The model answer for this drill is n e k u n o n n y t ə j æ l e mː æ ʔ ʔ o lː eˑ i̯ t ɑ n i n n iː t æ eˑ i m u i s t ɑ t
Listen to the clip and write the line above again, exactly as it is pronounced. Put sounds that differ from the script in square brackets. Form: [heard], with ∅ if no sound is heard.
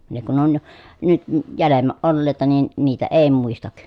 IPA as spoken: n e k u n o n n y t ə j æ l e mː æ ʔ ʔ o lː eˑ i̯ t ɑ n i n n iː t æ eˑ i m u i s t ɑ [k]